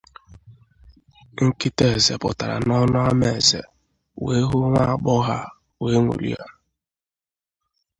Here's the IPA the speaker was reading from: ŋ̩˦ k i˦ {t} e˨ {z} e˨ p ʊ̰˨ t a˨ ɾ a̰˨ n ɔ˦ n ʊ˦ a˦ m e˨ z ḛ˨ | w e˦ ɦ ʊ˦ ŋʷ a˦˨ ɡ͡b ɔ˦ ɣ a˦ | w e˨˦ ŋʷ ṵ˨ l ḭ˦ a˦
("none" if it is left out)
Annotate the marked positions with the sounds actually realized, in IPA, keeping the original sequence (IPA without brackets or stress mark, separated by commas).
t, z